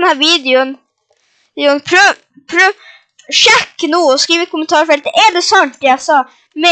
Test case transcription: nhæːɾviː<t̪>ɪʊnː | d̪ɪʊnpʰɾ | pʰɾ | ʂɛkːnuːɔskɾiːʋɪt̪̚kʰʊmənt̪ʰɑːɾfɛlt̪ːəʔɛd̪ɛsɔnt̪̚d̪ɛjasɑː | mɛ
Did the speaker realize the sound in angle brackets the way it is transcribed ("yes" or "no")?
no